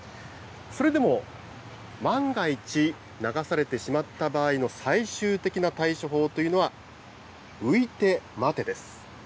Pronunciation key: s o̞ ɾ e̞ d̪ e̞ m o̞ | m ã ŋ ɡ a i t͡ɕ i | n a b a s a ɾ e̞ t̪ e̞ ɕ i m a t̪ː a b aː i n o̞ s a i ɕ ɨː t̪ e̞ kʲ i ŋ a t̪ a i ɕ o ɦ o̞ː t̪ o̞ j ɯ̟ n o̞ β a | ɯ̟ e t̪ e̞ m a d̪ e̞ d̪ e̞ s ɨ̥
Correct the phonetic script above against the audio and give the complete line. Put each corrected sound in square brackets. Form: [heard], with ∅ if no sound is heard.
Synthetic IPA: s o̞ ɾ e̞ d̪ e̞ m o̞ | m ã ŋ ɡ a i t͡ɕ i | n a [ɡ] a s a ɾ e̞ t̪ e̞ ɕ i m a t̪ː a b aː i n o̞ s a i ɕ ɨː t̪ e̞ kʲ i [n] a t̪ a i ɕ o ɦ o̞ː t̪ o̞ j ɯ̟ n o̞ β a | ɯ̟ [i] t̪ e̞ m a [t̪] e̞ d̪ e̞ s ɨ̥